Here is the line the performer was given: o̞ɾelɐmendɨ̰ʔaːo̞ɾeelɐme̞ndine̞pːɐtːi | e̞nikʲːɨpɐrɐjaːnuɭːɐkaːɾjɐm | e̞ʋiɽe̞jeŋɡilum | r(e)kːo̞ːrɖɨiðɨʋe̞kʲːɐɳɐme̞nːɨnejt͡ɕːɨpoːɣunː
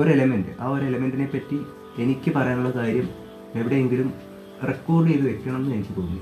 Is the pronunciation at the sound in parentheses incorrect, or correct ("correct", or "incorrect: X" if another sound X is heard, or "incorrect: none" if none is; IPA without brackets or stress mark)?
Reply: correct